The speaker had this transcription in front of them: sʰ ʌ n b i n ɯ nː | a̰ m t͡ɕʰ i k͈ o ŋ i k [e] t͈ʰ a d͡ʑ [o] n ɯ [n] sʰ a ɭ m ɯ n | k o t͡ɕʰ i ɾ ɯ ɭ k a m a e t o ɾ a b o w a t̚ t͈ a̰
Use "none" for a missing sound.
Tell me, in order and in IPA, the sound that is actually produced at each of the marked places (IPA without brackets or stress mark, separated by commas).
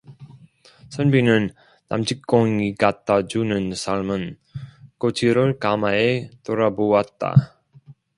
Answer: a, u, n